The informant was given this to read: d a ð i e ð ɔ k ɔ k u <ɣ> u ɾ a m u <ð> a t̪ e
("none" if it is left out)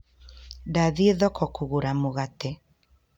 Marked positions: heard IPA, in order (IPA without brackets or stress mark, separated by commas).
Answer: ɣ, ɣ